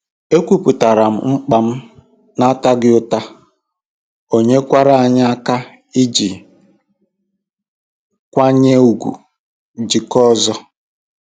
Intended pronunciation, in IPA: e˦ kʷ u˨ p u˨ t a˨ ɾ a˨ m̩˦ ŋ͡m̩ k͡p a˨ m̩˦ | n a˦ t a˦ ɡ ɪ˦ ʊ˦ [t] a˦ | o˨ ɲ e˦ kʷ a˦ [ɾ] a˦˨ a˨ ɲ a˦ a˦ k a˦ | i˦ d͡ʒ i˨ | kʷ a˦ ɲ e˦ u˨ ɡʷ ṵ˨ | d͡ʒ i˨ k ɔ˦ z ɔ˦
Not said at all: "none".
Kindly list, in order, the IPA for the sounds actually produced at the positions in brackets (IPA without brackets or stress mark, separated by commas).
t, ɾ